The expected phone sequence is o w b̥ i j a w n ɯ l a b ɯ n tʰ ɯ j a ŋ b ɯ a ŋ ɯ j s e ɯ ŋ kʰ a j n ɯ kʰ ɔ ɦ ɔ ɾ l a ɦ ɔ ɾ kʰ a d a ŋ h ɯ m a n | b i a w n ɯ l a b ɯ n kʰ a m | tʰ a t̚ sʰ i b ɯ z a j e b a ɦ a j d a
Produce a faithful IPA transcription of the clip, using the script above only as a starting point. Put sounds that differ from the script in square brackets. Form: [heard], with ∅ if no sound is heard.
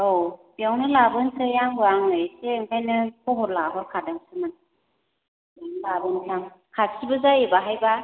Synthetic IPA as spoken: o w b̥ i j a w n ɯ l a b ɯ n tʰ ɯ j a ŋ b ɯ a ŋ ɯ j s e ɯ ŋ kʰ a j n ɯ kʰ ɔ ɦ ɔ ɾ l a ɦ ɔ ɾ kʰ a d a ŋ [s] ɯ m a n | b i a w n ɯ l a b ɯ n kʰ a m | [kʰ] a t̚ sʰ i b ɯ z a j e b a ɦ a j [b] a

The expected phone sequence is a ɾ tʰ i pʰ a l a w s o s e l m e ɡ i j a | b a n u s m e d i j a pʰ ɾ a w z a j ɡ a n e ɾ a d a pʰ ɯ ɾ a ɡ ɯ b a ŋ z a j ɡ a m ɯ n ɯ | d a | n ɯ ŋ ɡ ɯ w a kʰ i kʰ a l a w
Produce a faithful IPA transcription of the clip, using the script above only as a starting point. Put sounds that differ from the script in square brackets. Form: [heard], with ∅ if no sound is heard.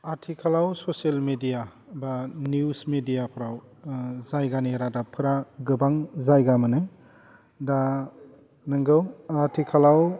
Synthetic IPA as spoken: a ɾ tʰ i [kʰ] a l a w s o s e l m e [d] i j a | b a n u s m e d i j a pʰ ɾ a w z a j ɡ a n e ɾ a d a pʰ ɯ ɾ a ɡ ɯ b a ŋ z a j ɡ a m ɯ n ɯ | d a | n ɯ ŋ ɡ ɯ w a [tʰ] i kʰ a l a w

